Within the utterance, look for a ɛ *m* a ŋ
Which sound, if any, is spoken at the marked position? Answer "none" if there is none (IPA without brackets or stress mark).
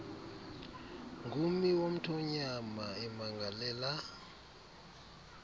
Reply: m